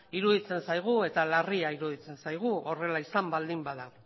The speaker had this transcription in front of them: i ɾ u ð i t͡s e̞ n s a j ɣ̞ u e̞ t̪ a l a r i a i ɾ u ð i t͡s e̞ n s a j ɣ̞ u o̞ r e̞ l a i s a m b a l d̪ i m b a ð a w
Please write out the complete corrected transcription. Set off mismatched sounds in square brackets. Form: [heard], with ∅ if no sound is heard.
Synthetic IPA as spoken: i ɾ u ð i t͡s e̞ n s a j ɣ̞ u e̞ t̪ a l a r i a i ɾ u ð i t͡s e̞ n s a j ɣ̞ u o̞ r e̞ l a i s a m b a l d̪ i m b a ð a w